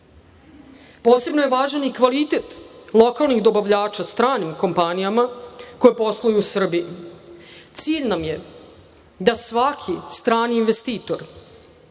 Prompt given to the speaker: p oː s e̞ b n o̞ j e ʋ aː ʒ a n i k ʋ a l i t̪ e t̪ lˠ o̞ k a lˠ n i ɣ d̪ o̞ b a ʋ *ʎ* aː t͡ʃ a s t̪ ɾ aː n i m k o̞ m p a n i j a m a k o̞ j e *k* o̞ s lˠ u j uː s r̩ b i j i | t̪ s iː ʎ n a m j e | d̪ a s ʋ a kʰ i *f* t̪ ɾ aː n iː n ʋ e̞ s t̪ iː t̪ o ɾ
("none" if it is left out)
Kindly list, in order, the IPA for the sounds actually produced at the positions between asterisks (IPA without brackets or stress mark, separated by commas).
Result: ʎ, p, s